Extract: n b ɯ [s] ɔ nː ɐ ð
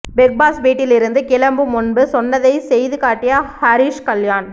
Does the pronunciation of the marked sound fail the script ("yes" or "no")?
no